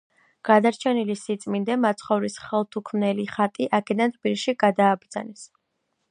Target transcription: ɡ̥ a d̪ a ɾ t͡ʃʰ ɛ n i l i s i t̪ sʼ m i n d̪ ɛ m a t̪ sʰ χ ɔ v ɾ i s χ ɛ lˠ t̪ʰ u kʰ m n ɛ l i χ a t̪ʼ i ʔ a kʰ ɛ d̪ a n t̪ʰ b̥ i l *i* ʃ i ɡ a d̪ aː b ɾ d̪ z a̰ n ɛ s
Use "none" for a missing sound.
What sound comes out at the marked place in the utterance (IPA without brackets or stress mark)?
i